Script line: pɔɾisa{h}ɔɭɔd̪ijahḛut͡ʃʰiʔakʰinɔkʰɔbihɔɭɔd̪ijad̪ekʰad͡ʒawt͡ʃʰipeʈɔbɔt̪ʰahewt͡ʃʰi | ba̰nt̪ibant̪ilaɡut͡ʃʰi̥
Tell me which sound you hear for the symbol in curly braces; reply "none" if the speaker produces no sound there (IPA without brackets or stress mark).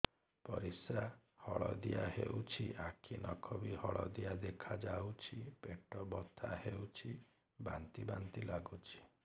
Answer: h